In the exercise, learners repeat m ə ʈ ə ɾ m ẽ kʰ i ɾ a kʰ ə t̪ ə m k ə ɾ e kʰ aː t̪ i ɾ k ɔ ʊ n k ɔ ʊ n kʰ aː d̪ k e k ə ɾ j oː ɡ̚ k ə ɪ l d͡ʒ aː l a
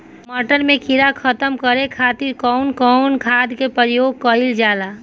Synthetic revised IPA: m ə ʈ ə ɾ m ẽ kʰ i ɾ a kʰ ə t̪ ə m k ə ɾ e kʰ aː t̪ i ɾ k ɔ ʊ n k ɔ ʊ n kʰ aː d̪ k e p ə ɾ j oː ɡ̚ k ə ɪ l d͡ʒ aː l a